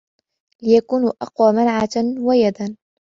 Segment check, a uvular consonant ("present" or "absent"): present